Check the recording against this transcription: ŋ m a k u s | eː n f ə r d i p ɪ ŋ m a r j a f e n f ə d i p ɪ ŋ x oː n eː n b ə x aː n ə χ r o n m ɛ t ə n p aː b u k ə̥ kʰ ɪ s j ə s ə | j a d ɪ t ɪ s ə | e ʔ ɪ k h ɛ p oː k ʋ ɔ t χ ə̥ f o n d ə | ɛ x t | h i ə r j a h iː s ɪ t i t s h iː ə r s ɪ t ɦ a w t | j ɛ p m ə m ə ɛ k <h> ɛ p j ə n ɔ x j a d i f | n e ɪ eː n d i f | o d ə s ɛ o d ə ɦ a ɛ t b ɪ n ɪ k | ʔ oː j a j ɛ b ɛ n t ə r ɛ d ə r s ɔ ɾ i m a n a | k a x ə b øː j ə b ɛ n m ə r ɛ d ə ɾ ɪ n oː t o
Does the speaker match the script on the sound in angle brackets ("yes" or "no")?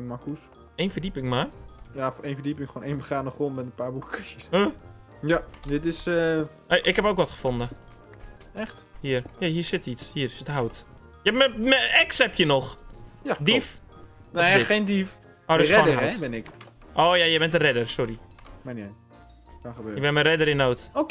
no